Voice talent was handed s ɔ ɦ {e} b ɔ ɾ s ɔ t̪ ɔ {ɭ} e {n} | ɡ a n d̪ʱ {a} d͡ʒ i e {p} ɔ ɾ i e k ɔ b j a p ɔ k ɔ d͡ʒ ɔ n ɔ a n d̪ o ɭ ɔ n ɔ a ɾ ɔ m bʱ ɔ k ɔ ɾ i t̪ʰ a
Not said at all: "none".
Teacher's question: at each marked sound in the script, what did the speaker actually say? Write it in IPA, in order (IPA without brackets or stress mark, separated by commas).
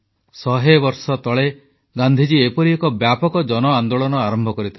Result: e, ɭ, none, i, p